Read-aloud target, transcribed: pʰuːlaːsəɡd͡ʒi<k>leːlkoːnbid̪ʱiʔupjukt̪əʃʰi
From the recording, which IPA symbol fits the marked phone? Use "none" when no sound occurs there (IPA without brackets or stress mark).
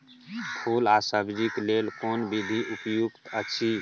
k